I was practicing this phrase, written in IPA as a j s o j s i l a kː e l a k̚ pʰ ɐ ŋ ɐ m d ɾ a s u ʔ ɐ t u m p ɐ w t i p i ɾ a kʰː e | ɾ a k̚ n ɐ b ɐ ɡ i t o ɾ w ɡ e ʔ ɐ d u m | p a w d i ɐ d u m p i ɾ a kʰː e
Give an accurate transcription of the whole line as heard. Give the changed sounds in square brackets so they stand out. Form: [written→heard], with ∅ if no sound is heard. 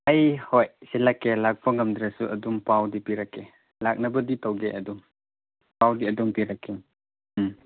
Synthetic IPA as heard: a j [s→h] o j s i l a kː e l a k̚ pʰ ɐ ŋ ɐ m d ɾ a s u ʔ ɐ [t→d] u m p [ɐ→a] w [t→d] i p i ɾ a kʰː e | [ɾ→l] a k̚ n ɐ b ɐ [ɡ→d] i t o [ɾ→∅] w ɡ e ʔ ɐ d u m | p a w d i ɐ d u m p i ɾ a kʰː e